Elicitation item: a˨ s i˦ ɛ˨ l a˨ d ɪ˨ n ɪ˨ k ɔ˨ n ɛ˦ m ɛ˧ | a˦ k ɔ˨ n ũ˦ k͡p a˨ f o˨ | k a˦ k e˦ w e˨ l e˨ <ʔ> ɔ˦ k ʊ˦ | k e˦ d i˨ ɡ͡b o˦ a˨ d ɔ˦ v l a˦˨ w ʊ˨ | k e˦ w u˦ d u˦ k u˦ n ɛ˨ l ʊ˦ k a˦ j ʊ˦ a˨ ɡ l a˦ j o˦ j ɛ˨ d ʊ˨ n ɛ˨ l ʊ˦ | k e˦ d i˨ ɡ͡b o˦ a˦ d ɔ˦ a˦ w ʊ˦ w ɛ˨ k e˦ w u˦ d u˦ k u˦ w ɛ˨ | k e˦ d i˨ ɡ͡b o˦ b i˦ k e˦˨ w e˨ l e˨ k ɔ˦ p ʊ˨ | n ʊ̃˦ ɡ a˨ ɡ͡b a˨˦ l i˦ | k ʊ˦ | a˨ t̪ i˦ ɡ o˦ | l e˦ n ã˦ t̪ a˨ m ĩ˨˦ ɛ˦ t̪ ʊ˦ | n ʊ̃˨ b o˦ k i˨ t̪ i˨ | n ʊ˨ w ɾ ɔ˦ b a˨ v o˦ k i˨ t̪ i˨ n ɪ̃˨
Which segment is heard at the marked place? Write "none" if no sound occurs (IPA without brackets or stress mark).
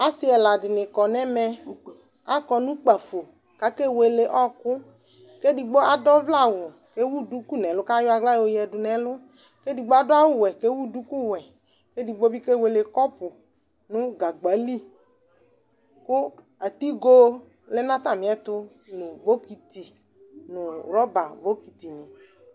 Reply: ʔ